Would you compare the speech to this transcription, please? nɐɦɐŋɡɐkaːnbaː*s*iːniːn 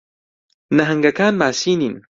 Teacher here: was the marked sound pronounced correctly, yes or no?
yes